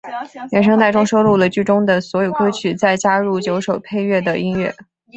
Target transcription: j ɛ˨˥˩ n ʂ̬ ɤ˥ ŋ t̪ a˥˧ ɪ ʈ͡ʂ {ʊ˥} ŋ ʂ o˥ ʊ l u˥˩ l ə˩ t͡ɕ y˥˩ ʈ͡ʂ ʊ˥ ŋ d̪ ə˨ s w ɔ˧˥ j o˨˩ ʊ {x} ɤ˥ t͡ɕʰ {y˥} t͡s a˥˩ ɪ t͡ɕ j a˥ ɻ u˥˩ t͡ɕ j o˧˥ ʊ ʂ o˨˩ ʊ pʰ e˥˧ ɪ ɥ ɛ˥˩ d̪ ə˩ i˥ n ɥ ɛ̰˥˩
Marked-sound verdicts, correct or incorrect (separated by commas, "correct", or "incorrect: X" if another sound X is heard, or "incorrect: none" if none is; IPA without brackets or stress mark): correct, incorrect: k, incorrect: y˨˩